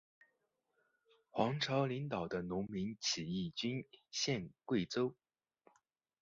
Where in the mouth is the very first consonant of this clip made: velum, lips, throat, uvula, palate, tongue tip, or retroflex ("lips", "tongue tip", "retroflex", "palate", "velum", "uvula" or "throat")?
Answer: velum